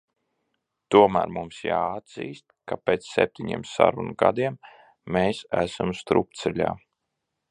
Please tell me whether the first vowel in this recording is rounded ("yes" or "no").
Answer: yes